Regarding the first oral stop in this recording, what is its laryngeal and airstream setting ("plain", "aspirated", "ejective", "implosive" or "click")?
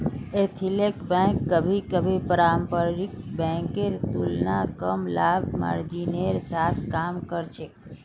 aspirated